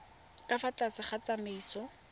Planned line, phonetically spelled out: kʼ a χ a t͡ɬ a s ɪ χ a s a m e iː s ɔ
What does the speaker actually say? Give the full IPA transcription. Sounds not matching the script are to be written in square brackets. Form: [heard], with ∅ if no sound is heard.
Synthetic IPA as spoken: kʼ a [f] a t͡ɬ a s ɪ χ a [t͡s] a m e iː s ɔ